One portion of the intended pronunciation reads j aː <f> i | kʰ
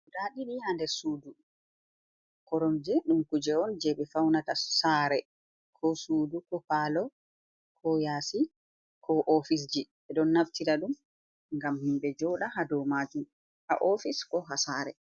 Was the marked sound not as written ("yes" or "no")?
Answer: yes